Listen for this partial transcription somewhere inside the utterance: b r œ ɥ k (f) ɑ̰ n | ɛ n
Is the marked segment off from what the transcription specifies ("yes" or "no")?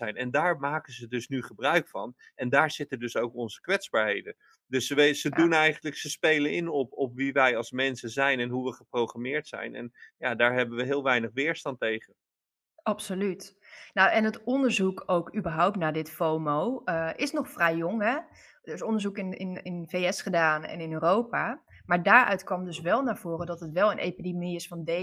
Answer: no